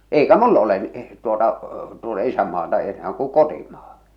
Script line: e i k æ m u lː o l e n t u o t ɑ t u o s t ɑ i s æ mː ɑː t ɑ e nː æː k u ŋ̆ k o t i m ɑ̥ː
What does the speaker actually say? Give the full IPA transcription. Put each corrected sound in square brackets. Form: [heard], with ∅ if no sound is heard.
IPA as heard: e i k æ m u lː o l e n t u o t ɑ t u o [∅] t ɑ i s æ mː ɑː t ɑ e [n] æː k u ŋ̆ k o t i m ɑ̥ː